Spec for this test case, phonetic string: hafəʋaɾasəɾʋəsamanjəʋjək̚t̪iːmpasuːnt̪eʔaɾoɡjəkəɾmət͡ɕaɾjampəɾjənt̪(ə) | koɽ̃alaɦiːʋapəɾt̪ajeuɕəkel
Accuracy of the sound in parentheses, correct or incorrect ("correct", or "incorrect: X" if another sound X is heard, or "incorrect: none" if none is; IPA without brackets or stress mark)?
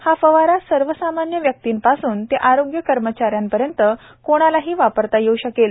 correct